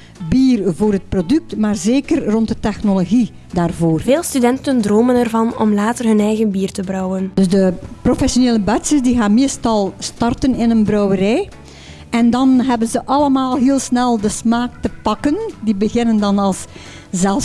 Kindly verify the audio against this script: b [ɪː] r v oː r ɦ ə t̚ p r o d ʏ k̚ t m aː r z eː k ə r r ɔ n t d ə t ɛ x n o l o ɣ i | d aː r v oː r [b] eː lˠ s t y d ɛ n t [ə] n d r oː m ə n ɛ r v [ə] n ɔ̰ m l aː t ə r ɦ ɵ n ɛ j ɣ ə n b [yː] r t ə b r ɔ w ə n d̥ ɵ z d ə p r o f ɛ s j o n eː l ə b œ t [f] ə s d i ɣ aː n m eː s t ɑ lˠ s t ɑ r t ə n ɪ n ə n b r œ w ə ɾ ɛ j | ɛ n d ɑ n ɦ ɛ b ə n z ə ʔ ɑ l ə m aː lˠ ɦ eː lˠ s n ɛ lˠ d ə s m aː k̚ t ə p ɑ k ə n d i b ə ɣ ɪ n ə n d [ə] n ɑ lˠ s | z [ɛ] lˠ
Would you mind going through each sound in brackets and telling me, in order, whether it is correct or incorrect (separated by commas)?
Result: incorrect, incorrect, correct, incorrect, incorrect, incorrect, incorrect, correct